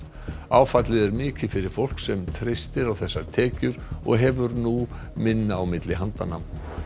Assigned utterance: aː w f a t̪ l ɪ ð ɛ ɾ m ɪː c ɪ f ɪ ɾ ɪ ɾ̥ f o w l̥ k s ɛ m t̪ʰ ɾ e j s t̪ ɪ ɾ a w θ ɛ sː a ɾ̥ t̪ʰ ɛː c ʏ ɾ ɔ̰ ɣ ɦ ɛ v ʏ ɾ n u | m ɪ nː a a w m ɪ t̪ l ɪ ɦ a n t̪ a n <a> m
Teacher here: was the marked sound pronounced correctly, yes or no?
yes